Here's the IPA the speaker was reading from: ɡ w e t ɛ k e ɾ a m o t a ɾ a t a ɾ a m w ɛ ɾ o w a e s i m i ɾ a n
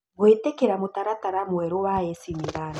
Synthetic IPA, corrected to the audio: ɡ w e t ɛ k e ɾ a m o t a ɾ a t a ɾ a m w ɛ ɾ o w a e s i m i ɾ a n